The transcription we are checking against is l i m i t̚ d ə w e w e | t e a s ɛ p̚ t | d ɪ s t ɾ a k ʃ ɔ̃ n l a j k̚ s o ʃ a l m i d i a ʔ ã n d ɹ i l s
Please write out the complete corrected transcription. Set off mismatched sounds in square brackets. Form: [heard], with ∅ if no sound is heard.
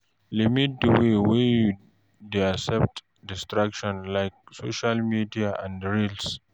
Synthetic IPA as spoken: l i m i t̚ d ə w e w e | [d] e a s ɛ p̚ t | d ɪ s t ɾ a k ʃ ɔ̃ n l a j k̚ s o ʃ a l m i d i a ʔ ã n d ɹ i l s